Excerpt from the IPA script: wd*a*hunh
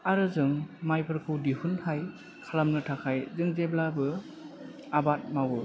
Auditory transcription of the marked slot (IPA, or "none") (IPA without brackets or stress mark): i